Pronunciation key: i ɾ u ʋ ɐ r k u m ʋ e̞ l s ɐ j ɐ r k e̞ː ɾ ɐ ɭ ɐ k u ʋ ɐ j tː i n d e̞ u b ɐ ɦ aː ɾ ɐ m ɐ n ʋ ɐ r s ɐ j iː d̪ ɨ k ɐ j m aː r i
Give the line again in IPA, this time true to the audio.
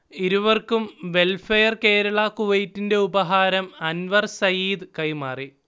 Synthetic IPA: i ɾ u ʋ ɐ r k u m ʋ e̞ l f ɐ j ɐ r k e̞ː ɾ ɐ ɭ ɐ k u ʋ ɐ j tː i n d e̞ u b ɐ ɦ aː ɾ ɐ m ɐ n ʋ ɐ r s ɐ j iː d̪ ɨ k ɐ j m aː r i